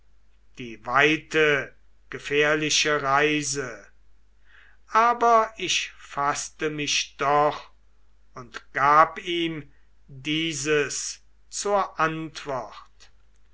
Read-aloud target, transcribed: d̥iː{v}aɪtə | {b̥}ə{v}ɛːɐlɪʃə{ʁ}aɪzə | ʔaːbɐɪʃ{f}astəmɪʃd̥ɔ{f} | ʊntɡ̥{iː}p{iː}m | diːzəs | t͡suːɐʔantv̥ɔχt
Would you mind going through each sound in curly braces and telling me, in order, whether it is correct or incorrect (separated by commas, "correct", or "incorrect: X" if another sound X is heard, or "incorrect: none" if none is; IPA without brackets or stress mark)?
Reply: correct, incorrect: ɡ̥, incorrect: f, correct, correct, incorrect: χ, incorrect: aː, correct